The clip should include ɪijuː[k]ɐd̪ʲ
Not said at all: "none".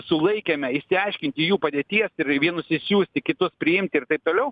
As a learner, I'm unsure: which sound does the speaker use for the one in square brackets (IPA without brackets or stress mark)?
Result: p